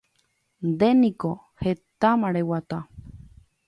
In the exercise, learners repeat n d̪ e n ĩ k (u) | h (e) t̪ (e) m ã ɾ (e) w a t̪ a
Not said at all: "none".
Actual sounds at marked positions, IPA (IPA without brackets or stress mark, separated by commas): o, e, a, e